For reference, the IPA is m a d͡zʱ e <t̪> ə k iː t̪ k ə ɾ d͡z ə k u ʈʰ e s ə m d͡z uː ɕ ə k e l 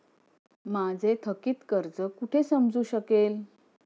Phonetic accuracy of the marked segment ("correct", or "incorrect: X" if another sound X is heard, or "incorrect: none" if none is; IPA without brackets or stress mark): incorrect: t̪ʰ